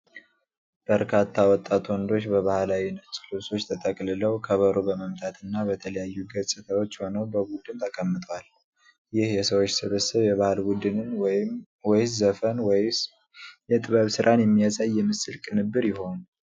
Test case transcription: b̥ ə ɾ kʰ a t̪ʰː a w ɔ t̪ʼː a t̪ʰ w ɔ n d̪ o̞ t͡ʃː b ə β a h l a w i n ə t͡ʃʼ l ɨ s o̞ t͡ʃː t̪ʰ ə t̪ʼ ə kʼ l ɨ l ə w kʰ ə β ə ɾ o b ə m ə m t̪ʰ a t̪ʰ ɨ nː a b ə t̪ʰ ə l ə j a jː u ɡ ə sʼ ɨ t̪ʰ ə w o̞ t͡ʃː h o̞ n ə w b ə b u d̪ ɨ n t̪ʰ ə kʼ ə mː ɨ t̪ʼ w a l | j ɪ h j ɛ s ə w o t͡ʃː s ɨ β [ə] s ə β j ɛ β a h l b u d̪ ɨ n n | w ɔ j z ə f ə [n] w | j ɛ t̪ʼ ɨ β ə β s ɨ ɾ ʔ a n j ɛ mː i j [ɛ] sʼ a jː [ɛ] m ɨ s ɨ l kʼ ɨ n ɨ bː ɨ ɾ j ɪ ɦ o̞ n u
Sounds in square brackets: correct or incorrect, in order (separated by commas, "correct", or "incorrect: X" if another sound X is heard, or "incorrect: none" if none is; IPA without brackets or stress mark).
correct, correct, incorrect: a, correct